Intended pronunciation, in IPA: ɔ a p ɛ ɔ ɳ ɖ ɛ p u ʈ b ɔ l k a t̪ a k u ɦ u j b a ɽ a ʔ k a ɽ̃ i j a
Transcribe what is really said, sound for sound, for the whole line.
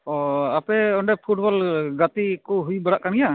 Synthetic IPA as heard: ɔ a p ɛ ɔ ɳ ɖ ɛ pʰ u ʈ b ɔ l ɡ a t̪ i k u ɦ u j b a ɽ a ʔ k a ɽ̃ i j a